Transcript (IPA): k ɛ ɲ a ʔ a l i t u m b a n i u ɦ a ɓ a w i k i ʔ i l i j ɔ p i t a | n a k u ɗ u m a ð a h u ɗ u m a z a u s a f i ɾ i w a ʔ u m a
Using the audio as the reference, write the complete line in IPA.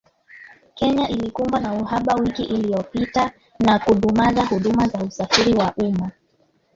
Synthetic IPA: k ɛ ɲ a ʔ i l i k u m b a n a u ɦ a ɓ a w i k i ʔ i l i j ɔ p i t a | n a k u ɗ u m a z a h u ɗ u m a z a u s a f i ɾ i w a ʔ u m a